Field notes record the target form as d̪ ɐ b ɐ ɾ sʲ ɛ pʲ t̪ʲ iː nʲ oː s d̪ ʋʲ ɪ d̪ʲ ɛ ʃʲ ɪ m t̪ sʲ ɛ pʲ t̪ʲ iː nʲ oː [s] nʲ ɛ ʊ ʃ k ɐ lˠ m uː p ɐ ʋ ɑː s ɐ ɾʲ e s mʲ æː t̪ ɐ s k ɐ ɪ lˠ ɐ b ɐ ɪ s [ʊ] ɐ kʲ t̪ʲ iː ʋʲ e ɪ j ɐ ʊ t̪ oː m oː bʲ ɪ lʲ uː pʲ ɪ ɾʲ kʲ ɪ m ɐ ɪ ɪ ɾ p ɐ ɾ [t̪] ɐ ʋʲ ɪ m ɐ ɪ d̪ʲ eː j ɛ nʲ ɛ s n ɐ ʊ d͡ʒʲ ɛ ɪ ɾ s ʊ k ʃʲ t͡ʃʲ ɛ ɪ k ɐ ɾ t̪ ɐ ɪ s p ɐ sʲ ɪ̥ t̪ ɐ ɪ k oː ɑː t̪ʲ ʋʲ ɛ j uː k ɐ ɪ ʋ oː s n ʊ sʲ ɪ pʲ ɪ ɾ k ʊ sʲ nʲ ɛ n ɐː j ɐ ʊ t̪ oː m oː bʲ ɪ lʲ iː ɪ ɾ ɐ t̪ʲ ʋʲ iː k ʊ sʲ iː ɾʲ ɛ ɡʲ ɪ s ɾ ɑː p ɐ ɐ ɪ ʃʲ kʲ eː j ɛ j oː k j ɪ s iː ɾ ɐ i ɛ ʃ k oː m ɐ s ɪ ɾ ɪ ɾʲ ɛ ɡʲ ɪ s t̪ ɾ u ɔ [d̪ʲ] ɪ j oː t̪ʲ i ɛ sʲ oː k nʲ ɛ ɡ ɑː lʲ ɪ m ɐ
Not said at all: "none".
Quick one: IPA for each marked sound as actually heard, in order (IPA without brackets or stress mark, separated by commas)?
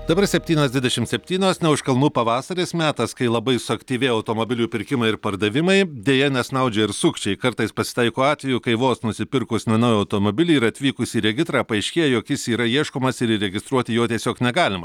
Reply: s, ʊ, d̪, t̪ʲ